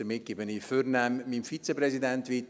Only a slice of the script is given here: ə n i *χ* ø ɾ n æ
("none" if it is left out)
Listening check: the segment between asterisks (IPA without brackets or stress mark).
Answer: f